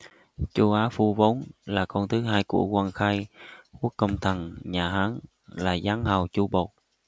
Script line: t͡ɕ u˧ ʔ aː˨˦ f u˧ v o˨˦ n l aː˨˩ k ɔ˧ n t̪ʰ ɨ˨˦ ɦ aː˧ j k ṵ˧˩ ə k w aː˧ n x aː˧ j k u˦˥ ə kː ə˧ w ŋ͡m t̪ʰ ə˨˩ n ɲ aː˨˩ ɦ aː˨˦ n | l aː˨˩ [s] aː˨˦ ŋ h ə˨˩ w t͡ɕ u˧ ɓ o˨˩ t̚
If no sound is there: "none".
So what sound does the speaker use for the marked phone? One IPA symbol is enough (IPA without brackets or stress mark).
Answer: z